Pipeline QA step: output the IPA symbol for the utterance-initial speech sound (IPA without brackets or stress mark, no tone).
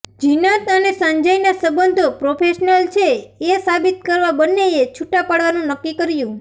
d͡ʒ